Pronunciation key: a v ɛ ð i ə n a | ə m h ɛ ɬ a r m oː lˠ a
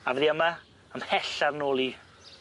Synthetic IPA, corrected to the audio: a v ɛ ð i ə m a | ə m h ɛ ɬ a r n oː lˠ i